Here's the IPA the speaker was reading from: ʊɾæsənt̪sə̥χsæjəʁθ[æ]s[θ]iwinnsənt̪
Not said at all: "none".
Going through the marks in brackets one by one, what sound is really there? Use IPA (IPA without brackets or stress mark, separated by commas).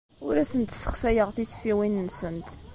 i, f